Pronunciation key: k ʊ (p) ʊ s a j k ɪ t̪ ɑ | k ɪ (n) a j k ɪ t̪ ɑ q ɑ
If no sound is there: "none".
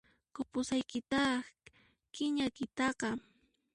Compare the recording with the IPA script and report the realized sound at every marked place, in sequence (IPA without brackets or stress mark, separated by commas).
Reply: p, ɲ